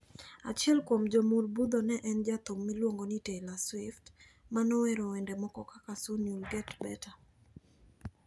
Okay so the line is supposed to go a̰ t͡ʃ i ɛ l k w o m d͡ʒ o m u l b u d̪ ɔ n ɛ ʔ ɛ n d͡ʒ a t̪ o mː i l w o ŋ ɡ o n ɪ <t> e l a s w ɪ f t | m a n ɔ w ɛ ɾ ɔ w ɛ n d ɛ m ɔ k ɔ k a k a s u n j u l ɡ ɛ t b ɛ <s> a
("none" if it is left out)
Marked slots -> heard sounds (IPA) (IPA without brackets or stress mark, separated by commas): t, t